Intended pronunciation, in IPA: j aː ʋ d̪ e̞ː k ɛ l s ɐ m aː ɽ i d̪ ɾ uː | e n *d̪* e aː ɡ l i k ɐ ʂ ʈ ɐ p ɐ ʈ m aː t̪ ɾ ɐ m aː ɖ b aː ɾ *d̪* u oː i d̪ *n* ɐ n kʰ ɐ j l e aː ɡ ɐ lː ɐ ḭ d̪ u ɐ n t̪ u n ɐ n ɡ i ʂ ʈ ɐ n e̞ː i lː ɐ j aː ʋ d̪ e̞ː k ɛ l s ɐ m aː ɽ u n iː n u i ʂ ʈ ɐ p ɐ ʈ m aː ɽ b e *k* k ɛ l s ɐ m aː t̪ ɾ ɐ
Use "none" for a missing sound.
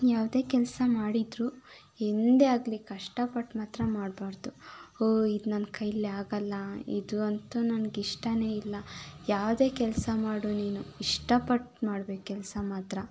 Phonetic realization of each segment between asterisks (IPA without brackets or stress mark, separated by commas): d̪, d̪, n, k